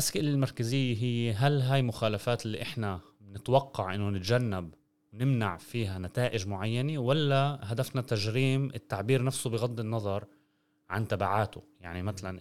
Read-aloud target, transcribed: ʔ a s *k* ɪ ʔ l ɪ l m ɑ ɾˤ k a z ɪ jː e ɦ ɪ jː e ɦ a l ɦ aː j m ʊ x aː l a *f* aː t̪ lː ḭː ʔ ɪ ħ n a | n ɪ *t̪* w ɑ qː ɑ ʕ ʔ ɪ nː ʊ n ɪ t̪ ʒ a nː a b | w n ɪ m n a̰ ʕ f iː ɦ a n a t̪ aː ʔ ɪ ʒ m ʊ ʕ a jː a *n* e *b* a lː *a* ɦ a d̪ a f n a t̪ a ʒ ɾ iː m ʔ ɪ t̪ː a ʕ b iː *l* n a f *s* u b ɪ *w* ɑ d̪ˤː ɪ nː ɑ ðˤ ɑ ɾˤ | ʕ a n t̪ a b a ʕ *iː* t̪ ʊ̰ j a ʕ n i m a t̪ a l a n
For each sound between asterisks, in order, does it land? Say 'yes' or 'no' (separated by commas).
yes, yes, yes, yes, no, yes, no, yes, no, no